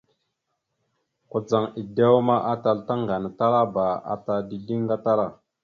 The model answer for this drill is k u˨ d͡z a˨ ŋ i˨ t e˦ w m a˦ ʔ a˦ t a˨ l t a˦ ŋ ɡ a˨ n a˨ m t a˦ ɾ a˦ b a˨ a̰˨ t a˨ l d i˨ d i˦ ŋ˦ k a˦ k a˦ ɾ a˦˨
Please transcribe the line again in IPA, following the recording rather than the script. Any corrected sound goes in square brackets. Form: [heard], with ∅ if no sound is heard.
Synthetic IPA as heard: k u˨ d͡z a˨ ŋ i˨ [d] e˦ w m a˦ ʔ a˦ t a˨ l t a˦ ŋ ɡ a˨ n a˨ [∅] t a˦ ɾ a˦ b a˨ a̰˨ t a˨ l d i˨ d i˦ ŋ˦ [ɡ] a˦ [t] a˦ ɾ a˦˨